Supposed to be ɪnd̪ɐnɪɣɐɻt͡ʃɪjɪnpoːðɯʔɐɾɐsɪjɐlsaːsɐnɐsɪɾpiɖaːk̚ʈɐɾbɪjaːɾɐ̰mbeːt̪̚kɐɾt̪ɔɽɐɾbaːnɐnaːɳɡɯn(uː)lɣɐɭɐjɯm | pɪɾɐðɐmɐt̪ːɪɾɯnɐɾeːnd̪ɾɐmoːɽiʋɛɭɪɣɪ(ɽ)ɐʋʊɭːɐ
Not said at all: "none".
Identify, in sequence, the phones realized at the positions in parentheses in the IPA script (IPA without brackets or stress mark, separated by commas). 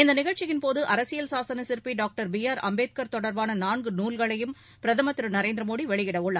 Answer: uː, ɽ